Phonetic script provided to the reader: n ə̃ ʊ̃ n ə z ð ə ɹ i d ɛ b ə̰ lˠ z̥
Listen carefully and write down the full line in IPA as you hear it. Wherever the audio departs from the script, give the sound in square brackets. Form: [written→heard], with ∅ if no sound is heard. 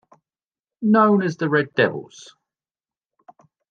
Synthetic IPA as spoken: n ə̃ ʊ̃ n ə z ð ə ɹ [i→ɛ] d ɛ [b→v] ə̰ lˠ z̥